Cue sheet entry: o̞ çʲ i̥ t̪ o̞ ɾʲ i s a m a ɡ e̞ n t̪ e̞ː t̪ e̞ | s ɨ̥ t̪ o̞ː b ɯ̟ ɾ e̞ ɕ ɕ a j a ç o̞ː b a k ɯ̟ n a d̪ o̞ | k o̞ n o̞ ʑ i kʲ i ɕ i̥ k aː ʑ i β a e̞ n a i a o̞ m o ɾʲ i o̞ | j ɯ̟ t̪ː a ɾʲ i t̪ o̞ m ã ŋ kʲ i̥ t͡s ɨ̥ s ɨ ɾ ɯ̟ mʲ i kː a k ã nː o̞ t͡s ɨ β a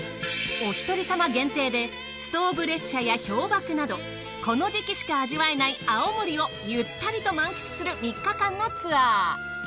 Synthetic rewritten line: o̞ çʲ i̥ t̪ o̞ ɾʲ i s a m a ɡ ẽ̞ n t̪ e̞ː d̪ e̞ | s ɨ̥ t̪ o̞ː b ɯ̟ ɾ e̞ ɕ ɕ a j a ç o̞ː b a k ɯ̟ n a d̪ o̞ | k o̞ n o̞ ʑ i kʲ i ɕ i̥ k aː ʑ i β a e̞ n a i a o̞ m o ɾʲ i o̞ | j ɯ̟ t̪ː a ɾʲ i t̪ o̞ m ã ŋ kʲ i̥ t͡s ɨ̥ s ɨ ɾ ɯ̟ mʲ i kː a k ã nː o̞ t͡s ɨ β a